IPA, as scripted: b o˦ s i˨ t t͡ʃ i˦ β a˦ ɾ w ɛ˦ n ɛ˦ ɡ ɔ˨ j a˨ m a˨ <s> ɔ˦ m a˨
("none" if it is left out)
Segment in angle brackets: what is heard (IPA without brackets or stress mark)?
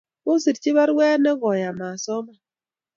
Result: s